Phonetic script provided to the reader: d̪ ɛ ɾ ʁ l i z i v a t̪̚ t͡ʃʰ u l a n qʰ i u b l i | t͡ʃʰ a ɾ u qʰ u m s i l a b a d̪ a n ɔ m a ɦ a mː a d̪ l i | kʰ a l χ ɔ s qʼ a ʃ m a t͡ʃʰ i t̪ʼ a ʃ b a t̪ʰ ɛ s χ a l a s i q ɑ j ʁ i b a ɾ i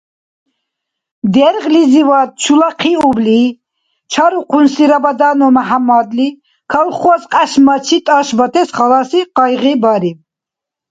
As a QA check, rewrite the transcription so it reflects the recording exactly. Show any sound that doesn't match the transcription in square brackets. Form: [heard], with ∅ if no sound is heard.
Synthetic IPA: d̪ ɛ ɾ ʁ l i z i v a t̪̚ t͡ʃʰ u l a [∅] qʰ i u b l i | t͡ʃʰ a ɾ u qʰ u [n] s i [ɾ] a b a d̪ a n ɔ m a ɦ a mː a d̪ l i | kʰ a l χ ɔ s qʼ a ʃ m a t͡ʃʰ i t̪ʼ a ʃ b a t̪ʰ ɛ s χ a l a s i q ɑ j ʁ i b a ɾ i